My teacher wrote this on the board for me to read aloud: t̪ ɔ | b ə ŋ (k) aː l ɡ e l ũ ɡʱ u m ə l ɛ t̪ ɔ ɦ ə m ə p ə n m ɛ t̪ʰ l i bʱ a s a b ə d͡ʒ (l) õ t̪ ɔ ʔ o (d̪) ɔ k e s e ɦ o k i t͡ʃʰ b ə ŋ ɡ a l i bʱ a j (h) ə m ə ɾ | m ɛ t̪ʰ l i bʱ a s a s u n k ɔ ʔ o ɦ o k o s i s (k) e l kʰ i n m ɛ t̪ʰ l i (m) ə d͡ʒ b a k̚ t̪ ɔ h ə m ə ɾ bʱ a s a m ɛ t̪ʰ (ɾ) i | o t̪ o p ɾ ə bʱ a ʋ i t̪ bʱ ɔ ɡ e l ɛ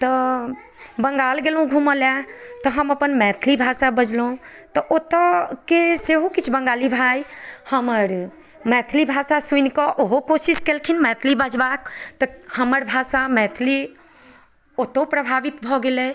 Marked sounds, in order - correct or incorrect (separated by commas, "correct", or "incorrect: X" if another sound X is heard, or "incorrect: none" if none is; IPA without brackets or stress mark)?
incorrect: ɡ, correct, incorrect: t̪, correct, correct, incorrect: b, incorrect: l